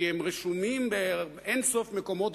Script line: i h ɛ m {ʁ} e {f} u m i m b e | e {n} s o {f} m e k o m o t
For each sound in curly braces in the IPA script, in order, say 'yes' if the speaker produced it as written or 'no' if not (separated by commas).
yes, no, yes, yes